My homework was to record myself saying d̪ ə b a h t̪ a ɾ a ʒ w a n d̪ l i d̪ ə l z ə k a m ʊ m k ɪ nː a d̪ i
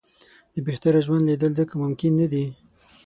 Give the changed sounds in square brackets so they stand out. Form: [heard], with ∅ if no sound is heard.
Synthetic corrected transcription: d̪ ə b [e] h t̪ a ɾ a ʒ w a n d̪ l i d̪ ə l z ə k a m ʊ m k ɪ nː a d̪ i